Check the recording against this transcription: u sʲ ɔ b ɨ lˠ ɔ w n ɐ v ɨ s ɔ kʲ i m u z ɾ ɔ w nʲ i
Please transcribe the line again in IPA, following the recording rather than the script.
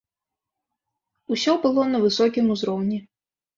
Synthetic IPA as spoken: u sʲ ɔ b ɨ lˠ ɔ n ɐ v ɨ s ɔ kʲ i m u z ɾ ɔ w nʲ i